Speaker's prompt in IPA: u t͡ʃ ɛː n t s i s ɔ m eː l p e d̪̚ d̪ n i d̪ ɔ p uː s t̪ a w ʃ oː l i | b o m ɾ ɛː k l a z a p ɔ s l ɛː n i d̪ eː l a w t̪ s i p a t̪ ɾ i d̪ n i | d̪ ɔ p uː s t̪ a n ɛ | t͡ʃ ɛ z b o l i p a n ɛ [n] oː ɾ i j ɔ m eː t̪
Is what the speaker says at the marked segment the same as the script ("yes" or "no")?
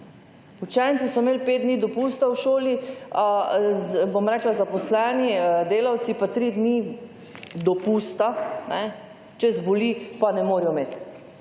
no